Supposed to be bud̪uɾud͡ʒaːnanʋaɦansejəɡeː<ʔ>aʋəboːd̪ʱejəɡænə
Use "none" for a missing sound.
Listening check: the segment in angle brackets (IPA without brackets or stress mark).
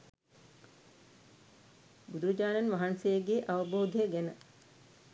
ʔ